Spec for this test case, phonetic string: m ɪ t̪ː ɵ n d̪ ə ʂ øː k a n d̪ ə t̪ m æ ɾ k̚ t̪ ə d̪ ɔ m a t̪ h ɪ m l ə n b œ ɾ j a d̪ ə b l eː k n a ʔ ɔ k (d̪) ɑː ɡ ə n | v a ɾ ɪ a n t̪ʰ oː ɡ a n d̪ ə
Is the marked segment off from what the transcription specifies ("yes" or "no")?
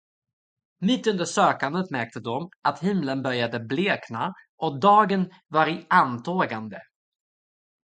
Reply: no